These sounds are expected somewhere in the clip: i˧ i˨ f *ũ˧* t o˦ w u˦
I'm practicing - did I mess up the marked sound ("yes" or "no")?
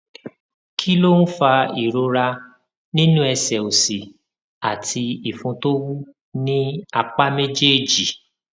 no